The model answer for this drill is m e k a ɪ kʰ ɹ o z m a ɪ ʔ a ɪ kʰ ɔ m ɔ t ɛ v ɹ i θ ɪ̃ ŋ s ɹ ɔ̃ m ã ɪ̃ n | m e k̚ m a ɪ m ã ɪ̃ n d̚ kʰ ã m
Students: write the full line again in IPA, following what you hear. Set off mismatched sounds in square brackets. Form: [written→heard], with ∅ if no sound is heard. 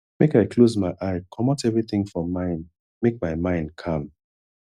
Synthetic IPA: m e k a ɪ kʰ [ɹ→l] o z m a ɪ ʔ a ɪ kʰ ɔ m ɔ t ɛ v ɹ i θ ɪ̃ ŋ [s→f] ɹ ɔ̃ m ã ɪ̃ n | m e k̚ m a ɪ m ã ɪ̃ n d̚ kʰ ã m